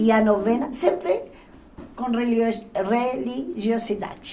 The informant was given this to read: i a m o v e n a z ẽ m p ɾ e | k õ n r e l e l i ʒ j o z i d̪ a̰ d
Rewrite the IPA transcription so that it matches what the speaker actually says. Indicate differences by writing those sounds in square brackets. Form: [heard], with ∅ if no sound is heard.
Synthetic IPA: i a [n] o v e n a [s] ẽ m p ɾ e | k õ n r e [r] e l i ʒ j o [s] i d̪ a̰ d

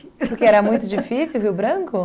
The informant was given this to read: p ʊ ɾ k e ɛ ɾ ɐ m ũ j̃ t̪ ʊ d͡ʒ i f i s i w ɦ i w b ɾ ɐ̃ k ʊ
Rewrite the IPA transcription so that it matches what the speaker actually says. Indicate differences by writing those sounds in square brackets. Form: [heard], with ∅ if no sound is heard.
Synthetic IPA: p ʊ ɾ k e ɛ ɾ ɐ m ũ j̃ t̪ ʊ d͡ʒ i f i s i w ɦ i w b ɾ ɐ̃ k ʊ

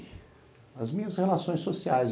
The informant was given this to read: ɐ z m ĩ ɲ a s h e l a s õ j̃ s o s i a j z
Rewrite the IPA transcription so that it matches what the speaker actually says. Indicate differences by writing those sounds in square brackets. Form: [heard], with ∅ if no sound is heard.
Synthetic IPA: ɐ z m ĩ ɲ [ɐ] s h e l a s õ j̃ s o s i a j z

